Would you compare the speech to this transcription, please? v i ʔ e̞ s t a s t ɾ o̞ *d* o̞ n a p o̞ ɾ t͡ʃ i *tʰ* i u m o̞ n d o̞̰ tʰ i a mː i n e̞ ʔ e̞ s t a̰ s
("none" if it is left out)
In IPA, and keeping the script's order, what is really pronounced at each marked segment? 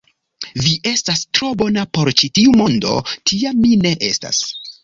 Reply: b, t

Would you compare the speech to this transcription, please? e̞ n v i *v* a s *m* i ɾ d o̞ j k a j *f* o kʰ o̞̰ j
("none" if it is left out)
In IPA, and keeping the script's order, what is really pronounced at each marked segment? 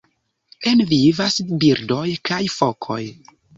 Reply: v, b, f

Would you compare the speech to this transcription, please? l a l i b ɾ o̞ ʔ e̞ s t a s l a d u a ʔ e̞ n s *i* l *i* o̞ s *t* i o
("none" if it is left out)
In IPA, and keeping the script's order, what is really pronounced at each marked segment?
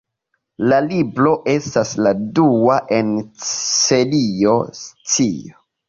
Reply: e, i, t͡s

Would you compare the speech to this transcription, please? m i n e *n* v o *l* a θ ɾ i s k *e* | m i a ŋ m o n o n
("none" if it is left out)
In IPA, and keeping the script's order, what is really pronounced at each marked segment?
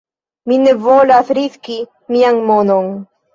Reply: none, l, i

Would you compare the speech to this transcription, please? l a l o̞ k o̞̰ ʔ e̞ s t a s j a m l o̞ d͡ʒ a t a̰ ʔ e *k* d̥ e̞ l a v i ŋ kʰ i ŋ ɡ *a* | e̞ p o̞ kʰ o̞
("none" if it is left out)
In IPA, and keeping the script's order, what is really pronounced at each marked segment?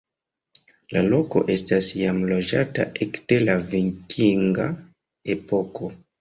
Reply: k, a

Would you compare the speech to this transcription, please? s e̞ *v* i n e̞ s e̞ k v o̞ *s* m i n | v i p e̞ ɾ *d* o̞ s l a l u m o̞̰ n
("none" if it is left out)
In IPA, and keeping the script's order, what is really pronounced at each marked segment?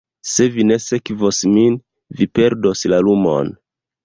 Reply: v, s, d

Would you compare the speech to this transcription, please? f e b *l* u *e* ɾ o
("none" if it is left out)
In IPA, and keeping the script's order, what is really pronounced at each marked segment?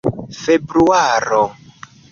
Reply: ɾ, a

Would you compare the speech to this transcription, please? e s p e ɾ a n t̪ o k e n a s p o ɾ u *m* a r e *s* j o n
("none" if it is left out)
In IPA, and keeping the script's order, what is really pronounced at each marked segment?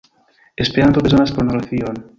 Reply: n, θ

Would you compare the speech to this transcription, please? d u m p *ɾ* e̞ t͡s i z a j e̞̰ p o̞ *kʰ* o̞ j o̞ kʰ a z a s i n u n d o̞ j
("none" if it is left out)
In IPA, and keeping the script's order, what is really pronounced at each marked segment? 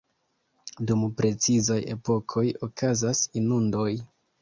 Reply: ɾ, kʰ

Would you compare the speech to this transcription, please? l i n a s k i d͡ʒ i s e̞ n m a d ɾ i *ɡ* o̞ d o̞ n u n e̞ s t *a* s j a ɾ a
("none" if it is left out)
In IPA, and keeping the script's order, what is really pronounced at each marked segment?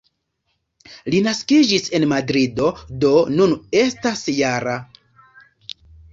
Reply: d, a

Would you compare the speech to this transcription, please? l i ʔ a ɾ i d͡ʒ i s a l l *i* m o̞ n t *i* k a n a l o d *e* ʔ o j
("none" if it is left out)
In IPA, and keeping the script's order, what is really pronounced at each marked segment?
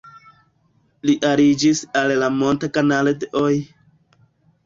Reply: a, a, e

